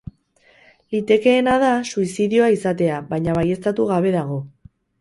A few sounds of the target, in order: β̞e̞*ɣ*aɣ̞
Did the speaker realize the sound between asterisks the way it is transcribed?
no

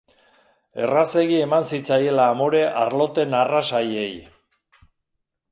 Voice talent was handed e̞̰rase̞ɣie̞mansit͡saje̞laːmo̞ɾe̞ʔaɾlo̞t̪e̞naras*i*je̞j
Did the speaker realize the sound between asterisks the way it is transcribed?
no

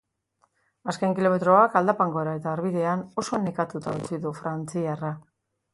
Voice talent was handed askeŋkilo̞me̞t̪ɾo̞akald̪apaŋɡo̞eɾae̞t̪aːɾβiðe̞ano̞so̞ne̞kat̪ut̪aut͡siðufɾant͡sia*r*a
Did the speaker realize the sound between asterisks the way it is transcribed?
yes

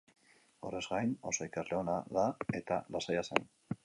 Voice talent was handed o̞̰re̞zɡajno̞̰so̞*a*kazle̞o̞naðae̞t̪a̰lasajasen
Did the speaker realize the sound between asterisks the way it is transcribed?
no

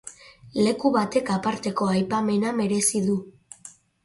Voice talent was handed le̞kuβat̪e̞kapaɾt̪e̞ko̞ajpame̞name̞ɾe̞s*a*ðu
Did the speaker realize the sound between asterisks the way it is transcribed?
no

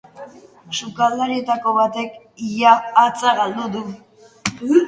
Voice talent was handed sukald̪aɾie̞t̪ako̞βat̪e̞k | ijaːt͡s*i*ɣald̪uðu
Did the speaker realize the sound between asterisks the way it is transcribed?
no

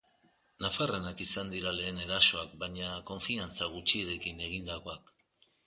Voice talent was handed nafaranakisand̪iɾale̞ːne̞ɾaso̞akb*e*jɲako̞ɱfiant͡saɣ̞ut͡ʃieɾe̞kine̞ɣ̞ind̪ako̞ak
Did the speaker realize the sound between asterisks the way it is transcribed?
no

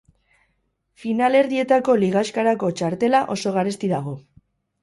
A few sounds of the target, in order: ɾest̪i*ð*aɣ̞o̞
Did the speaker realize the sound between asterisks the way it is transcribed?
yes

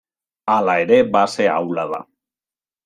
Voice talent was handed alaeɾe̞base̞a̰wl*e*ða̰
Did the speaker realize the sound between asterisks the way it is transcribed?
no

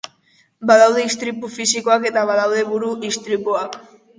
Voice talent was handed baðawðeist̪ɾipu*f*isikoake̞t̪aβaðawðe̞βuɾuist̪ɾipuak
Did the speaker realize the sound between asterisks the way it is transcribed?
yes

